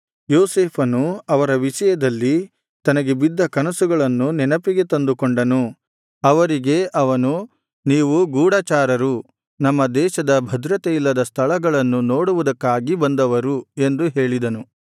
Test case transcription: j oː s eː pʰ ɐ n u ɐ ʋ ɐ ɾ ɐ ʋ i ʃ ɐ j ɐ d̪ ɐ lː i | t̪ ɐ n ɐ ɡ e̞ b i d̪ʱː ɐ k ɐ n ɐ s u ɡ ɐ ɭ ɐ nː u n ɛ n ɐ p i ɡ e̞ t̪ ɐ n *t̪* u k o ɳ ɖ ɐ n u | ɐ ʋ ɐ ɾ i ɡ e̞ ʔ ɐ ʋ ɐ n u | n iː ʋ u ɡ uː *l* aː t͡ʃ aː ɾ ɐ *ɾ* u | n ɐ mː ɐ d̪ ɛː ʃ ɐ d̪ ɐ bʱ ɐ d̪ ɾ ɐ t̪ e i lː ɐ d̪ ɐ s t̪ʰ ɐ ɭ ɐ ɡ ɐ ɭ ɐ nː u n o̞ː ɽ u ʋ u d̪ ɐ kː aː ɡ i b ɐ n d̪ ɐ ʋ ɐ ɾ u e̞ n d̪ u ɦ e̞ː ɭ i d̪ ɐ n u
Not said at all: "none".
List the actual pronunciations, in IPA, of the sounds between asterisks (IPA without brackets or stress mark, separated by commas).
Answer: d̪, ɽ, ɾ